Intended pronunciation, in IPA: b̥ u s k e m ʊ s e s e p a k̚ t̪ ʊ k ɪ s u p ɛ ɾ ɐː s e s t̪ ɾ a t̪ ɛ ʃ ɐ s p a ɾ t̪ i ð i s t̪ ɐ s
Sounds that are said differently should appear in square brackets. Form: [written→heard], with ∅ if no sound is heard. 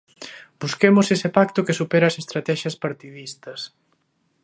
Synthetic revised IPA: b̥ u s k e m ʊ s e s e p a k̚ t̪ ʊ k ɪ s u p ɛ ɾ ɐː s e s t̪ ɾ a t̪ ɛ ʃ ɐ s p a ɾ t̪ i ð i s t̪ ɐ s